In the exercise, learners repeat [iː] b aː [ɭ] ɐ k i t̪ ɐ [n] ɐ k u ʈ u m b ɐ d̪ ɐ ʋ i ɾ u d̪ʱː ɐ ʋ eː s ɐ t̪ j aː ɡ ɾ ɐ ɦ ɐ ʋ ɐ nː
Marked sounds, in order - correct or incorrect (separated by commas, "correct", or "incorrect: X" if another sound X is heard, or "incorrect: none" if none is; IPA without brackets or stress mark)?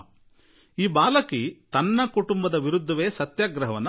correct, incorrect: l, incorrect: nː